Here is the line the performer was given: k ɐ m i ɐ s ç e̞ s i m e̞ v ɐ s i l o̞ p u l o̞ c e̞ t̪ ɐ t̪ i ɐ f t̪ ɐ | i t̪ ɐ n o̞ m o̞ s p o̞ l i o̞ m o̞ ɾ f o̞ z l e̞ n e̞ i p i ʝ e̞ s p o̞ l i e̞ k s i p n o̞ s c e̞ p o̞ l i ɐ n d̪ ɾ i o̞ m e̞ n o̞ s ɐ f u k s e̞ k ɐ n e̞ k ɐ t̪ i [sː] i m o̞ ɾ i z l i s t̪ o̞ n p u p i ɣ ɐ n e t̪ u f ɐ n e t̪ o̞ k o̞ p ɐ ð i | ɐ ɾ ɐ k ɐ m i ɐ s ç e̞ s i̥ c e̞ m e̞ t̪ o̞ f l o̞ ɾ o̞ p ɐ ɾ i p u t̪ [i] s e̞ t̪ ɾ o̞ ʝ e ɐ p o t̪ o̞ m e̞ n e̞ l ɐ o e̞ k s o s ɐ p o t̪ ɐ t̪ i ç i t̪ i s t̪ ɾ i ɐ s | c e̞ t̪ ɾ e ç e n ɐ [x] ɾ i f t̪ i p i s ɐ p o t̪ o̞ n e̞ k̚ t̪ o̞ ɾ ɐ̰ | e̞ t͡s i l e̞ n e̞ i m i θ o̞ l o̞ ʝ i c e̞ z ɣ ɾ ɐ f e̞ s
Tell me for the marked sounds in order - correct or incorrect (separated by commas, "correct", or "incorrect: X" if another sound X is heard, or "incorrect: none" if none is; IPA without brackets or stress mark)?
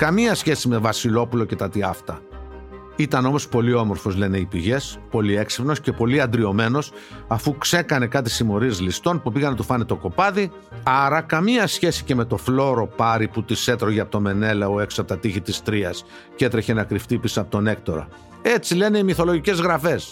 incorrect: s, correct, incorrect: k